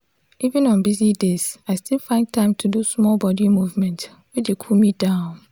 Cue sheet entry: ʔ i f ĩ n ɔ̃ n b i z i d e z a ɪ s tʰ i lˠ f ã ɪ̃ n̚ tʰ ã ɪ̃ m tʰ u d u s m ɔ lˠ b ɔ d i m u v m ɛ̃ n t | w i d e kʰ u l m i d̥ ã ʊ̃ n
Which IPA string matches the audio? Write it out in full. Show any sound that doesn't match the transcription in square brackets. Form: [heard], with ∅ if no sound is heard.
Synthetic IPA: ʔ i [v] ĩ n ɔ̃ n b i z i d e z a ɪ s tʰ i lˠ f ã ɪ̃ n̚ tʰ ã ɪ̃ m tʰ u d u s m ɔ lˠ b ɔ d i m u v m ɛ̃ n t | w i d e kʰ u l m i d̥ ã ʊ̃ n